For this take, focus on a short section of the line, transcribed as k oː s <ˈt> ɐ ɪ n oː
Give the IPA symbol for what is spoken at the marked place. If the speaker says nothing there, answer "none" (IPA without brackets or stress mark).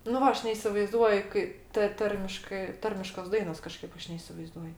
d